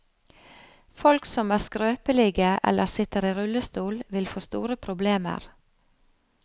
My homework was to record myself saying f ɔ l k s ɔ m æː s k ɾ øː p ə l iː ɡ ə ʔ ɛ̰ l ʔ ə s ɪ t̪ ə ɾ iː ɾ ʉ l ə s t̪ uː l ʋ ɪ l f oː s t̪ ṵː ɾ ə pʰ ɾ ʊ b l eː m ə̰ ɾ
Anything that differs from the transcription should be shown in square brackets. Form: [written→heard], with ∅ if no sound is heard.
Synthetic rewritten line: f ɔ l k s ɔ m æː s k ɾ øː p ə l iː ɡ ə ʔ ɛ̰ l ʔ ə s ɪ t̪ ə ɾ iː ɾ ʉ l ə s t̪ uː l ʋ ɪ l f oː s t̪ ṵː ɾ ə pʰ ɾ ʊ b l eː m ə̰ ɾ